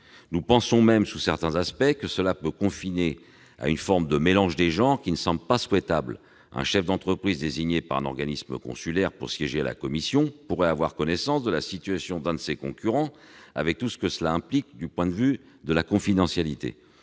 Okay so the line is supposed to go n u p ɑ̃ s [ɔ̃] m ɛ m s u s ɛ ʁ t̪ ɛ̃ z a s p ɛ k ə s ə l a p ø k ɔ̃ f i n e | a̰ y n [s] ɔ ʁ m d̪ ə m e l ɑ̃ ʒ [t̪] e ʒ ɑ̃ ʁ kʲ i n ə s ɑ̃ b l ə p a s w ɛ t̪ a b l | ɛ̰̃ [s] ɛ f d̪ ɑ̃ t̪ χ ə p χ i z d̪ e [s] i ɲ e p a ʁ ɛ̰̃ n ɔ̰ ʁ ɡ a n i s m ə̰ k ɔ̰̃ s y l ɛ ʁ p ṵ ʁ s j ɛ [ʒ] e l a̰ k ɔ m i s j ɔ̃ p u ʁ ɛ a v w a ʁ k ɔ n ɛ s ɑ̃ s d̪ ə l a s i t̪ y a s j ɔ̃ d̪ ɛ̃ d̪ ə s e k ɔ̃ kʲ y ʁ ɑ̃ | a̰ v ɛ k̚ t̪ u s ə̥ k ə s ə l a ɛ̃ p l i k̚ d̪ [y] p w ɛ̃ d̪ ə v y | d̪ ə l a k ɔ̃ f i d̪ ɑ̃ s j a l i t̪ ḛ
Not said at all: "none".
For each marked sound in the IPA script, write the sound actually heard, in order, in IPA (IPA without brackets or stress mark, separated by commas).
ɔ̃, f, d̪, ʃ, z, ʒ, y